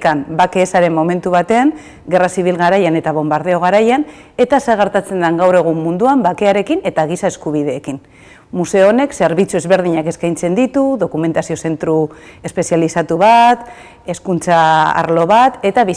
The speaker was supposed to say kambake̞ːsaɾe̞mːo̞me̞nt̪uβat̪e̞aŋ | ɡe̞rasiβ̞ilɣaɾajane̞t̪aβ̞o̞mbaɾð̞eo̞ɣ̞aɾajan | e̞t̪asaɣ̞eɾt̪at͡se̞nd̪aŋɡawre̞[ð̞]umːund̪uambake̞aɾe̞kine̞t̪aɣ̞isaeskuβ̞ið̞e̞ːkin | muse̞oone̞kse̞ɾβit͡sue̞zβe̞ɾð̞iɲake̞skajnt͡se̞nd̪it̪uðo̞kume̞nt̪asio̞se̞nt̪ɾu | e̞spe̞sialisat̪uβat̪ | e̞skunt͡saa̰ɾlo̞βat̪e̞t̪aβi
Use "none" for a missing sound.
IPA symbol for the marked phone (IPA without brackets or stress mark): ɣ̞